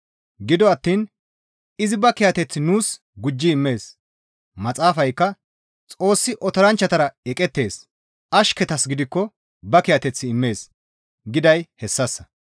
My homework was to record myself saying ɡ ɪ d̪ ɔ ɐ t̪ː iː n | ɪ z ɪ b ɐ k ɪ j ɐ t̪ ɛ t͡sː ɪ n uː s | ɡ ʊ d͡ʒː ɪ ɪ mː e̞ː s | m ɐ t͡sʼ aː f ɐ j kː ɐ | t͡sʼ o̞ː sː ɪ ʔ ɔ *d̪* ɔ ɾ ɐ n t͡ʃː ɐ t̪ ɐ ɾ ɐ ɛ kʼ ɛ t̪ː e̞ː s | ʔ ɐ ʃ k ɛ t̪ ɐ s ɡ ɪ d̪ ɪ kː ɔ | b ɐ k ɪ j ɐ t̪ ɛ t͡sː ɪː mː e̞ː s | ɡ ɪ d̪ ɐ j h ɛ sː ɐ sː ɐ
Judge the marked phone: incorrect: t̪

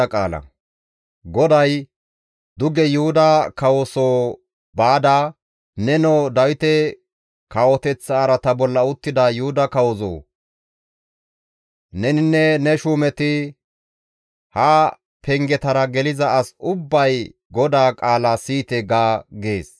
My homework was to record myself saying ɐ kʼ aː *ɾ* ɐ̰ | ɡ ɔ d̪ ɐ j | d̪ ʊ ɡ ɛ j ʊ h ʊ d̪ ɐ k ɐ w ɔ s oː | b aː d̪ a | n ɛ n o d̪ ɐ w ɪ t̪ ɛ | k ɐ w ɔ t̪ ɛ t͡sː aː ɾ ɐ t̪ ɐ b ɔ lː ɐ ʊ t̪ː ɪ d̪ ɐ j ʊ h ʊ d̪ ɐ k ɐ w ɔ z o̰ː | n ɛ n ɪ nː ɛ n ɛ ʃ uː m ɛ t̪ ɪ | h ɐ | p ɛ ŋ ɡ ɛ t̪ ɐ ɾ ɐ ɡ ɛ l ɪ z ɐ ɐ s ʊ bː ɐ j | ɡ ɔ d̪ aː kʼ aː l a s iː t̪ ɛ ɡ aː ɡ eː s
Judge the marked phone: incorrect: l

